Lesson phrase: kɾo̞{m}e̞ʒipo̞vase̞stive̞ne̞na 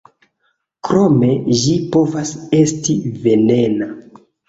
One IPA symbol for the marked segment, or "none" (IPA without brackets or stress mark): m